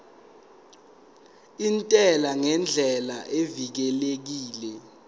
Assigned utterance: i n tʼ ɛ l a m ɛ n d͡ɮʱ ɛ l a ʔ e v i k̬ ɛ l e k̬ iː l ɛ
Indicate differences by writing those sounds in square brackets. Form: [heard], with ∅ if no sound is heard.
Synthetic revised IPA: i n tʼ ɛ l a [ŋ] ɛ n d͡ɮʱ ɛ l a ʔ e v i k̬ ɛ l e k̬ iː l ɛ